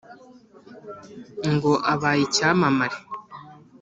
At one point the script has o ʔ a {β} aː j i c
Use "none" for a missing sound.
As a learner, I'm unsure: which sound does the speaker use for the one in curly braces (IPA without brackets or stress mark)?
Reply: β